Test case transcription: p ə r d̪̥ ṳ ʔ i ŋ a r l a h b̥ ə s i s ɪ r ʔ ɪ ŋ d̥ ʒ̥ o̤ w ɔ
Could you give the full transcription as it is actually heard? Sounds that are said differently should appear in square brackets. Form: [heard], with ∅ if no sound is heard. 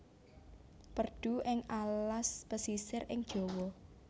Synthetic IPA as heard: p ə r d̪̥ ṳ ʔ [ɪ] ŋ a [l] l a [s] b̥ ə s i s ɪ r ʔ ɪ ŋ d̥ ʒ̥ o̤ w ɔ